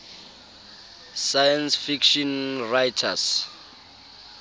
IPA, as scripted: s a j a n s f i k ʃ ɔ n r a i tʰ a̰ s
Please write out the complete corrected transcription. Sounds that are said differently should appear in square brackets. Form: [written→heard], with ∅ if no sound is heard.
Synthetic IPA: s a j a n s f i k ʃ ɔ n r a [i→j] tʰ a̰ s